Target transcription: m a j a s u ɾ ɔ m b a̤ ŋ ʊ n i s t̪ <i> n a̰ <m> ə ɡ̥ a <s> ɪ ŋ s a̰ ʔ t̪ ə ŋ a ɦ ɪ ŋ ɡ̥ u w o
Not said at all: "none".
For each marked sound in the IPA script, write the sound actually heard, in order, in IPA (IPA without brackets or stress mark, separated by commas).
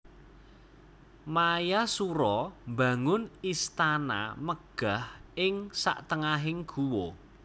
a, m, h